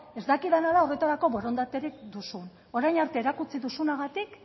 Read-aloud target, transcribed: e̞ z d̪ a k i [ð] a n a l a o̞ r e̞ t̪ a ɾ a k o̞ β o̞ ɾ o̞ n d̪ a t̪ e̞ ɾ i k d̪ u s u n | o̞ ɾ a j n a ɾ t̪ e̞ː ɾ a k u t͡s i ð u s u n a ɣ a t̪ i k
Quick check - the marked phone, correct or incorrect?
correct